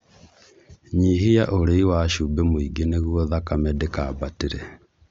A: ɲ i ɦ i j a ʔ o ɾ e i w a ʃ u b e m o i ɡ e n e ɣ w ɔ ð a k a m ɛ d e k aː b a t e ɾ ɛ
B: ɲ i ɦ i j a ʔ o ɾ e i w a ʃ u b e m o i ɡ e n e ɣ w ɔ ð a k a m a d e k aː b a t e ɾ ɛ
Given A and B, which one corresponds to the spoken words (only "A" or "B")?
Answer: A